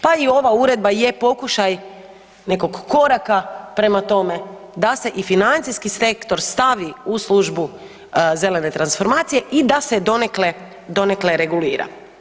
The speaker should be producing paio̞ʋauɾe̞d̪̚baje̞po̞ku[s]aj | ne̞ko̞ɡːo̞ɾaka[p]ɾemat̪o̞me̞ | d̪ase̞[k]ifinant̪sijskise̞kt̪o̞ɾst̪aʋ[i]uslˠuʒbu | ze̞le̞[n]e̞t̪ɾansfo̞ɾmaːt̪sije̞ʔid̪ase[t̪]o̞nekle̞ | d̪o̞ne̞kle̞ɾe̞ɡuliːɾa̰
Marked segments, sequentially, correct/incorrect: incorrect: ʃ, correct, incorrect: ʔ, correct, correct, incorrect: d̪

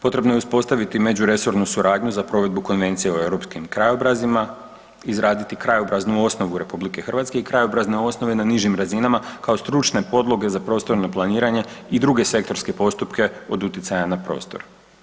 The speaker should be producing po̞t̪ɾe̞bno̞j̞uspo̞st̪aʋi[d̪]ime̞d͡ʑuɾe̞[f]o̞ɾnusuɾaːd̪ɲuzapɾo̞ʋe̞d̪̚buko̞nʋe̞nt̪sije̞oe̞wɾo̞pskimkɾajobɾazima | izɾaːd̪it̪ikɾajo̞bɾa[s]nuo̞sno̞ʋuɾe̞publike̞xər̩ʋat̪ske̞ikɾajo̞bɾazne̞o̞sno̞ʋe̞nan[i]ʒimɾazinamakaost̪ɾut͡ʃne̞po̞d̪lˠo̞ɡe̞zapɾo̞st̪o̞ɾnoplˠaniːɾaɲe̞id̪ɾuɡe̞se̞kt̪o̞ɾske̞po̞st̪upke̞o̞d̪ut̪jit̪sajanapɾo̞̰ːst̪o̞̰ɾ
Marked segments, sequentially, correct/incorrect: incorrect: t̪, incorrect: s, incorrect: z, correct

